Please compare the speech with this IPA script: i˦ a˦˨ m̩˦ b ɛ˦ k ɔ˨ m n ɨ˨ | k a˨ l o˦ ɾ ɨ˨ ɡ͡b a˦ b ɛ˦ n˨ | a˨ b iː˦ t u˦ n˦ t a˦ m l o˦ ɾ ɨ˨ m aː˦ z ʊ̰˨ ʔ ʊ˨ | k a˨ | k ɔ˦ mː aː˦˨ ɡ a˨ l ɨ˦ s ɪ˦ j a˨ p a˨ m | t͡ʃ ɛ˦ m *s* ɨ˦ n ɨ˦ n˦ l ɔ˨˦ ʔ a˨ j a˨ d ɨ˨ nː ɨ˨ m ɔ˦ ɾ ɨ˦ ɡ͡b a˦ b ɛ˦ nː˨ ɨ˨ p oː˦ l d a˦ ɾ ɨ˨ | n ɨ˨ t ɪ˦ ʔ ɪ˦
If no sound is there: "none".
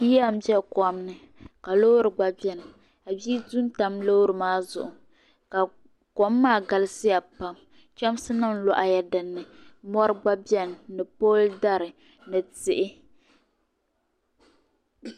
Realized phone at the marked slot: s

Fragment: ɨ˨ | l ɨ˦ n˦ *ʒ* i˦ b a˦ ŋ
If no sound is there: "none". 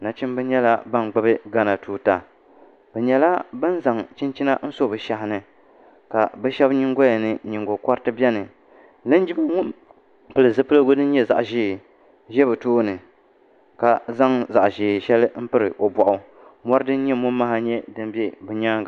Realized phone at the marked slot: d͡ʒ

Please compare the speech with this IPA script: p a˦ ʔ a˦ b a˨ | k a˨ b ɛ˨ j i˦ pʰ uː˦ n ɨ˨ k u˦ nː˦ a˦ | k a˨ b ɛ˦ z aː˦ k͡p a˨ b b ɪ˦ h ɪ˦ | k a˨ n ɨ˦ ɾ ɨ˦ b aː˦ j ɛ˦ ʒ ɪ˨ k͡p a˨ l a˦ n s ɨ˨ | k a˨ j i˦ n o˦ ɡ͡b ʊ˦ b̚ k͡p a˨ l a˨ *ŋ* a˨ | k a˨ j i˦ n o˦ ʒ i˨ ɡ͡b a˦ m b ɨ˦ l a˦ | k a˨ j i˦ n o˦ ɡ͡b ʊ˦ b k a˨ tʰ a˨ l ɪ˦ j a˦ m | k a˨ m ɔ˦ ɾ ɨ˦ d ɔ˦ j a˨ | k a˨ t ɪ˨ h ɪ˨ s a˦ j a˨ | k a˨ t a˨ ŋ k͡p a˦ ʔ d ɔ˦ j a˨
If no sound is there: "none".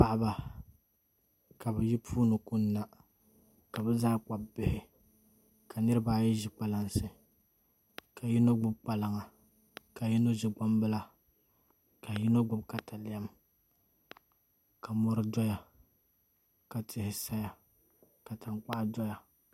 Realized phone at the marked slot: ŋ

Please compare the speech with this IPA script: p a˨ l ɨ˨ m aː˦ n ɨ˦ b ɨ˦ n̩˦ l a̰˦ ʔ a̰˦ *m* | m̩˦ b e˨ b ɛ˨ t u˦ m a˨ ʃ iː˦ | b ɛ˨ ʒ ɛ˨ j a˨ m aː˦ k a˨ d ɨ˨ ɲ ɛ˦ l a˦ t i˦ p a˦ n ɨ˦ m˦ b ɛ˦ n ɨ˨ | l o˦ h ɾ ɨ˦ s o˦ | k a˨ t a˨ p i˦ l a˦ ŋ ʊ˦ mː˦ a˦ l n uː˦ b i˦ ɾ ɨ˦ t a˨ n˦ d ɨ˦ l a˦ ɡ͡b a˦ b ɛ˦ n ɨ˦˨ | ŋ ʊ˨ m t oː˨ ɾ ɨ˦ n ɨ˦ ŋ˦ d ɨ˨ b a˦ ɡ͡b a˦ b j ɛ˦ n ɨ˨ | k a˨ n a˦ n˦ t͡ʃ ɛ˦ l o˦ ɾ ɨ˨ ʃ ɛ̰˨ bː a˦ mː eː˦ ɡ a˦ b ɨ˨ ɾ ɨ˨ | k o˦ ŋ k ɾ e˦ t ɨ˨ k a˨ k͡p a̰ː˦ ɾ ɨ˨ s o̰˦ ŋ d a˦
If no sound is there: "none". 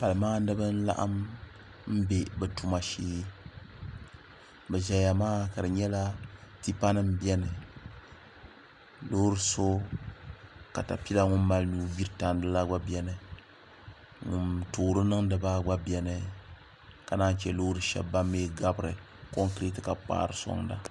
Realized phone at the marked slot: m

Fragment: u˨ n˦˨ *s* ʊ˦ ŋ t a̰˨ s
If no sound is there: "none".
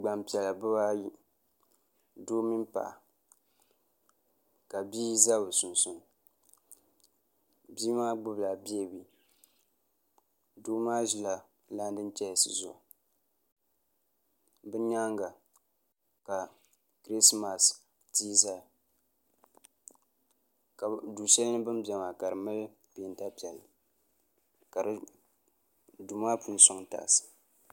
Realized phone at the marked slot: s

